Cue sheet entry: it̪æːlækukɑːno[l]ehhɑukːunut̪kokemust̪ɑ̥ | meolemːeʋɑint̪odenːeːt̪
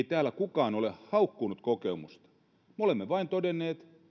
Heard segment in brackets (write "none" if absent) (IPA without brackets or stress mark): l